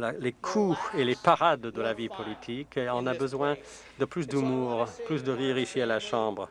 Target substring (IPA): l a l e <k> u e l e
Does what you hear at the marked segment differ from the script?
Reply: yes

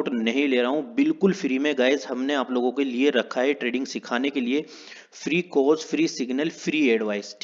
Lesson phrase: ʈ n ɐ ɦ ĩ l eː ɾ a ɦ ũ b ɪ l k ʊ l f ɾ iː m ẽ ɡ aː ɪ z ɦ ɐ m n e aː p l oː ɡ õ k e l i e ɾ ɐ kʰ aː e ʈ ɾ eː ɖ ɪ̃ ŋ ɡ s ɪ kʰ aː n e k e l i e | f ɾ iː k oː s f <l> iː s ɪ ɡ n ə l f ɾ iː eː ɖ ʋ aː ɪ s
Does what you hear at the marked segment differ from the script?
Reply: yes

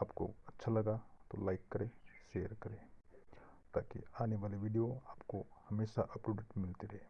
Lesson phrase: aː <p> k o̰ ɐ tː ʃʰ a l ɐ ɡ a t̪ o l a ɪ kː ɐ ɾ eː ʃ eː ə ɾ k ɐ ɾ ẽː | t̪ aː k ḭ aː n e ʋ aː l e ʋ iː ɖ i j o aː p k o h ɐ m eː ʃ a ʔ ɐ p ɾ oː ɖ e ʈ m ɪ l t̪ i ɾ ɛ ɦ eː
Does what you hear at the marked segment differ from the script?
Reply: no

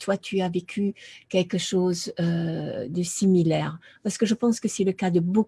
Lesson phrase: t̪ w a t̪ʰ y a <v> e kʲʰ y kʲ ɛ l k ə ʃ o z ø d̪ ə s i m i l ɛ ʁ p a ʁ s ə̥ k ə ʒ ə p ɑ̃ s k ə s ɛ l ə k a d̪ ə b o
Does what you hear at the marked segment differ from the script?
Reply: no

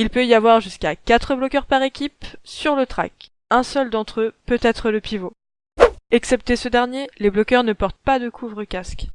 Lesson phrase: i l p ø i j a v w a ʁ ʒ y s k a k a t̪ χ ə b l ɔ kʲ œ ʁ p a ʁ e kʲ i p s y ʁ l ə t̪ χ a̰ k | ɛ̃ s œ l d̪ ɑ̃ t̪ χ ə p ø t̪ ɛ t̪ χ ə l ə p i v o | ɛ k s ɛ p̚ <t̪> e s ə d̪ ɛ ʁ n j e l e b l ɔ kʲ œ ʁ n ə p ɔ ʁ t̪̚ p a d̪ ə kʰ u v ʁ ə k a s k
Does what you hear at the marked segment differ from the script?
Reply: no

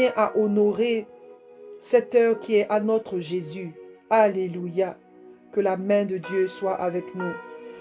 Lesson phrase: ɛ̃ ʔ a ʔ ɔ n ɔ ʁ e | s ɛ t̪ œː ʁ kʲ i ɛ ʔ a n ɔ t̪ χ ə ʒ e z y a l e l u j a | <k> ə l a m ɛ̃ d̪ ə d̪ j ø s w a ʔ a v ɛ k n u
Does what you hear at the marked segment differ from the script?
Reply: no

